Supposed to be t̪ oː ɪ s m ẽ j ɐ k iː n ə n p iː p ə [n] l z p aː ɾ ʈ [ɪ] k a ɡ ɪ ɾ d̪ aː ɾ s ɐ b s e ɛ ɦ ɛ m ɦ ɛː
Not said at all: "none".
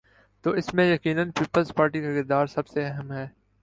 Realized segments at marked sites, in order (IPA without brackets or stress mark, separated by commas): none, i